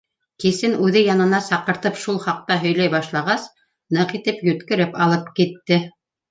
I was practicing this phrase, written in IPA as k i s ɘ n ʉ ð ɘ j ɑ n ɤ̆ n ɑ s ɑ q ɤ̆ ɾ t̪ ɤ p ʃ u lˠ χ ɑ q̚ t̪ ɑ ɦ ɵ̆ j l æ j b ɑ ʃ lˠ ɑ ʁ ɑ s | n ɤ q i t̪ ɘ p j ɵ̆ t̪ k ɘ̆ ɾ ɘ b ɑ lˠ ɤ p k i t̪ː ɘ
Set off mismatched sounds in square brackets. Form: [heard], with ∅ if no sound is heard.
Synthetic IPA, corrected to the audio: k i s ɘ n ʉ ð ɘ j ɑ n ɤ̆ n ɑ s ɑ q ɤ̆ ɾ t̪ ɤ p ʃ u lˠ χ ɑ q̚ t̪ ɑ ɦ ɵ̆ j l æ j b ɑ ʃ lˠ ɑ ʁ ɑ s | n ɤ q i t̪ ɘ p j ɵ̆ t̪ k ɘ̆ ɾ ɘ [p] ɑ lˠ ɤ p k i t̪ː ɘ